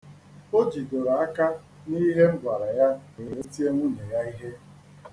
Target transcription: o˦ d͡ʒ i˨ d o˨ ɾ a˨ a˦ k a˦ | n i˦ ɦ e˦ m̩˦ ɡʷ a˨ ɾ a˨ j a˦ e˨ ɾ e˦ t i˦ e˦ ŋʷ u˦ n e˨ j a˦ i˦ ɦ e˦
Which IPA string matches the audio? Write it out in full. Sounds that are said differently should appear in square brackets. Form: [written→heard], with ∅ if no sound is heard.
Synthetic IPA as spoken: o˦ d͡ʒ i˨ d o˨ ɾ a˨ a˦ k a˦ | n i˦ ɦ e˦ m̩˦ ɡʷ a˨ ɾ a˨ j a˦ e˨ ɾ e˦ t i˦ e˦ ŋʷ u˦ n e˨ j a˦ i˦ ɦ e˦